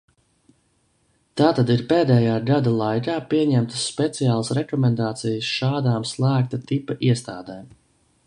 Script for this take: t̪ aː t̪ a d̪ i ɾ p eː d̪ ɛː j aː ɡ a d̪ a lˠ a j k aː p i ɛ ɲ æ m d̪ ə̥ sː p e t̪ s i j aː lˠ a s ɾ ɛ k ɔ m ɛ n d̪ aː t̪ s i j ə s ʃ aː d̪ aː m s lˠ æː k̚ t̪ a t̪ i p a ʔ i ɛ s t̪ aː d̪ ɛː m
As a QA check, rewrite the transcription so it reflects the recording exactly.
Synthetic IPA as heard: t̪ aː t̪ a d̪ i ɾ p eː d̪ ɛː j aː ɡ a d̪ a lˠ a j k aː p i ɛ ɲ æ m t̪ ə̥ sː p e t̪ s i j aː lˠ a s ɾ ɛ k ɔ m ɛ n d̪ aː t̪ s i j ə s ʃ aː d̪ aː m s lˠ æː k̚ t̪ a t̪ i p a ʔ i ɛ s t̪ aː d̪ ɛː m